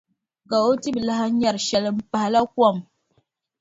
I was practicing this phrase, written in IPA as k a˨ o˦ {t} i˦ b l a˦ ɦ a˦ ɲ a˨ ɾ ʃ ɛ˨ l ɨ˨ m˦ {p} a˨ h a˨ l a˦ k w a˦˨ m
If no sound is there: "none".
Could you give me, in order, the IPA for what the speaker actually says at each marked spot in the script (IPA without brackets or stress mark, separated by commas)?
t, p